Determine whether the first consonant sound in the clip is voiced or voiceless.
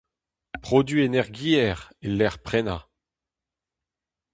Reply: voiceless